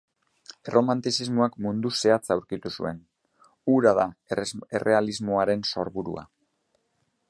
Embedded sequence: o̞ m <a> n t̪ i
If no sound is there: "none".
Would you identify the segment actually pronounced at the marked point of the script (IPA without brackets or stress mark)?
a